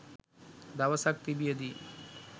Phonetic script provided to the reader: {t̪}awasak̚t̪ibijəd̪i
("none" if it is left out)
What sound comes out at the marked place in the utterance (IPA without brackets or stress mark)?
d̪